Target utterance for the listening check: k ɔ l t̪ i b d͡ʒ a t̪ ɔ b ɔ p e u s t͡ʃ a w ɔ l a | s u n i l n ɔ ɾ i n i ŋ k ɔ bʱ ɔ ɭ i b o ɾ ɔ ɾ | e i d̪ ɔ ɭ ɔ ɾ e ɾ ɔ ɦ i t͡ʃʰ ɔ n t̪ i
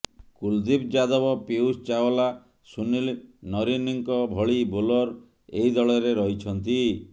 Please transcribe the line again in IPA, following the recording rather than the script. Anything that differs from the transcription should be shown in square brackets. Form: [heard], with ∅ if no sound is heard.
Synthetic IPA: k [u] l [d̪] i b d͡ʒ a [d̪] ɔ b ɔ p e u s t͡ʃ a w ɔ l a | s u n i l n ɔ ɾ i n i ŋ k ɔ bʱ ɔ ɭ i b o [l] ɔ ɾ | e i d̪ ɔ ɭ ɔ ɾ e ɾ ɔ ɦ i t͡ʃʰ ɔ n t̪ i

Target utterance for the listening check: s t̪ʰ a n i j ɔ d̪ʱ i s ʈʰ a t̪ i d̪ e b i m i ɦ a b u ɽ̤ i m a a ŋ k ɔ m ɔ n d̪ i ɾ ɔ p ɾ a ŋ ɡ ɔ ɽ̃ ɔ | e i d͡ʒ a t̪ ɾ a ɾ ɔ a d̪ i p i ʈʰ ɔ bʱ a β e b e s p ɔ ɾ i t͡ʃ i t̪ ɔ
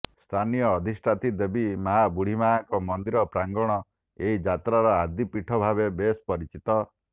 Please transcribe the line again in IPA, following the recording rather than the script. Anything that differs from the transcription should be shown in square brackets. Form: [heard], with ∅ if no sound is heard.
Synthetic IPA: s t̪ʰ a n i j [ɔː] d̪ʱ i s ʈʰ a t̪ i d̪ e b i m [a] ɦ a b u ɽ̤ i m a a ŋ k ɔ m ɔ n d̪ i ɾ ɔ p ɾ a ŋ ɡ ɔ ɽ̃ ɔ | e i d͡ʒ a t̪ ɾ a ɾ ɔ a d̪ i p i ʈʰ ɔ bʱ a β e b e s p ɔ ɾ i t͡ʃ i t̪ ɔ

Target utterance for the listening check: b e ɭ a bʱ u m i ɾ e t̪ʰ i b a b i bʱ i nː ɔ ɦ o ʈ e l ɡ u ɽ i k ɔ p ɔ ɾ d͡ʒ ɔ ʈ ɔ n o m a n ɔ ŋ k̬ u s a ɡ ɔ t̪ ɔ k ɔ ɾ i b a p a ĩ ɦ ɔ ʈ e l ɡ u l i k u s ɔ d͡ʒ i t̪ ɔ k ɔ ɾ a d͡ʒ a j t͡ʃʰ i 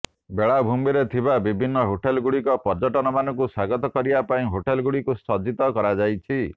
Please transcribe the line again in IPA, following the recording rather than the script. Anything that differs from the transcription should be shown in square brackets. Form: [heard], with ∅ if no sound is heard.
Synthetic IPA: b e ɭ a bʱ u m i ɾ e t̪ʰ i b a b i bʱ i nː ɔ ɦ o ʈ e l ɡ u ɽ i k ɔ p ɔ ɾ d͡ʒ ɔ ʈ ɔ n [ɔ] m a n ɔ ŋ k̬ u s a ɡ ɔ t̪ ɔ k ɔ ɾ i b a p a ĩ ɦ [o] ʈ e l ɡ u [ɽ] i k u s ɔ d͡ʒ i t̪ ɔ k ɔ ɾ a d͡ʒ a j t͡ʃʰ i

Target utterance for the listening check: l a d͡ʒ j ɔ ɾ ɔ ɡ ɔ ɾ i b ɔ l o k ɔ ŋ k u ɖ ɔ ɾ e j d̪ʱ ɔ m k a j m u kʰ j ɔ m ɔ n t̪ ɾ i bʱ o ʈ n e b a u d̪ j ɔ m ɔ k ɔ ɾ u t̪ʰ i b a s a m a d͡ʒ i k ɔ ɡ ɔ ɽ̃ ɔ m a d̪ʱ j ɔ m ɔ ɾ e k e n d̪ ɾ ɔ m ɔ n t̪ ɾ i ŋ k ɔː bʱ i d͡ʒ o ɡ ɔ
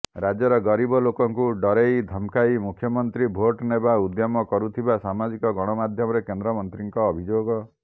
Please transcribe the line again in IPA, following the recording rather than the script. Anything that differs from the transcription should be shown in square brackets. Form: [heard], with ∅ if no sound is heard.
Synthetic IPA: [ɾ] a d͡ʒ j ɔ ɾ ɔ ɡ ɔ ɾ i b ɔ l o k ɔ ŋ k u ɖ ɔ ɾ e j d̪ʱ ɔ m k a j m u kʰ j ɔ m ɔ n t̪ ɾ i bʱ o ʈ n e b a u d̪ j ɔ m ɔ k ɔ ɾ u t̪ʰ i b a s a m a d͡ʒ i k ɔ ɡ ɔ ɽ̃ ɔ m a d̪ʱ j ɔ m ɔ ɾ e k e n d̪ ɾ ɔ m ɔ n t̪ ɾ i ŋ k ɔː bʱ i d͡ʒ o ɡ ɔ

